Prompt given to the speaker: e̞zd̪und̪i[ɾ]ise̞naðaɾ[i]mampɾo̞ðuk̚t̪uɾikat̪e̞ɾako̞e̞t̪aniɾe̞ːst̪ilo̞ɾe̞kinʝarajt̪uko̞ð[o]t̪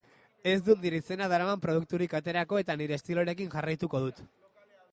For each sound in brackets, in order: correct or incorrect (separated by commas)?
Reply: correct, incorrect, incorrect